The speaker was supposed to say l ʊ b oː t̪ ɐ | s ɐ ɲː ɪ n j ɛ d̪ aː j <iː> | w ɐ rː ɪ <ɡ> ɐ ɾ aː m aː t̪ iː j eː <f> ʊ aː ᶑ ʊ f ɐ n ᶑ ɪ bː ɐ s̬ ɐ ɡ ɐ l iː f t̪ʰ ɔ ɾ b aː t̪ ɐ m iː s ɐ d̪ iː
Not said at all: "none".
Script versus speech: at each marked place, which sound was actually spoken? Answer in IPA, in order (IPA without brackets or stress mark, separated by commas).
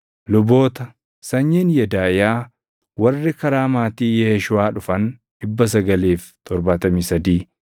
aː, k, ʃ